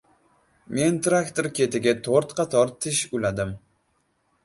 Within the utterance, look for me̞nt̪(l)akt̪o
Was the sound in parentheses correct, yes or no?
no